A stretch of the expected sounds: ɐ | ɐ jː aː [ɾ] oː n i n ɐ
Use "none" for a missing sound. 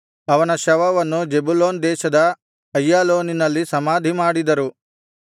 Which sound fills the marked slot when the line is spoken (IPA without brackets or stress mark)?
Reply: l